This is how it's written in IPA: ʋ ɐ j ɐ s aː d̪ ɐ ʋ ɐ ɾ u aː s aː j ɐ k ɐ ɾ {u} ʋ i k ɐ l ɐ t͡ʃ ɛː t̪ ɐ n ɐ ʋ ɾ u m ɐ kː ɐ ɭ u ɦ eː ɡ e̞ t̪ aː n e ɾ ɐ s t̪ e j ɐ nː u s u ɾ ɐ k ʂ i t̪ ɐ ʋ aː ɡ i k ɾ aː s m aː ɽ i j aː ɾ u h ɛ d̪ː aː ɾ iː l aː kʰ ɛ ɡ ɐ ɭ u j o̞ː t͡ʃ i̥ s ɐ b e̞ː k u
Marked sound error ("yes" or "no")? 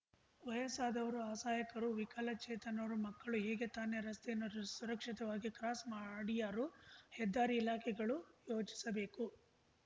no